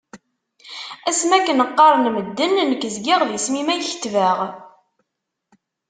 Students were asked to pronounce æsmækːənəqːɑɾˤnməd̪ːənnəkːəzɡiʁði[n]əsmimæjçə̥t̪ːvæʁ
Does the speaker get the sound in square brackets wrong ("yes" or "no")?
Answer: yes